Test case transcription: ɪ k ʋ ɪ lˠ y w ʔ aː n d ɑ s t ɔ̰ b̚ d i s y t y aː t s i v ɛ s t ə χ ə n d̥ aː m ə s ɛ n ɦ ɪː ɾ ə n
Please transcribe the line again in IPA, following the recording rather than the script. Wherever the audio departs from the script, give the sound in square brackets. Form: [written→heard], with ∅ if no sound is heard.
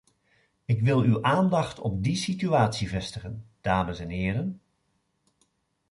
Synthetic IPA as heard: ɪ k ʋ ɪ lˠ y w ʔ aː n d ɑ [s→χ] t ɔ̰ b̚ d i s [y→i] t y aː t s i v ɛ s t ə χ ə n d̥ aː m ə s ɛ n ɦ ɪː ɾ ə n